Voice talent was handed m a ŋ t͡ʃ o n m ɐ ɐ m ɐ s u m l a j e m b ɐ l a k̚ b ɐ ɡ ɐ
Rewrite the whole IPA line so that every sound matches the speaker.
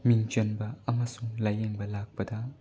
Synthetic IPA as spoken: m i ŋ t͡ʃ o n b ɐ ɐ m ɐ s u ŋ l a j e ŋ b ɐ l a k̚ p ɐ d ɐ